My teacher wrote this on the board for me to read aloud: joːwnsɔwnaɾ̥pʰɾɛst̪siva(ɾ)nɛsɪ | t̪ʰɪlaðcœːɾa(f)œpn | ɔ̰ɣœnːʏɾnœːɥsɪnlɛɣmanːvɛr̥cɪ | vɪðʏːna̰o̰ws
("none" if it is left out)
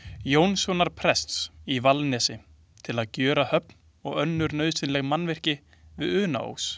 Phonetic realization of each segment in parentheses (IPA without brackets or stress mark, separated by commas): l, h